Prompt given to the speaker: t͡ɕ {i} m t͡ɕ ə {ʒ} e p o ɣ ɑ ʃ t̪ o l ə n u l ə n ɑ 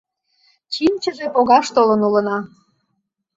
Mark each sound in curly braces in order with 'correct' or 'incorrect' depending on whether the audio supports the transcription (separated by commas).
correct, correct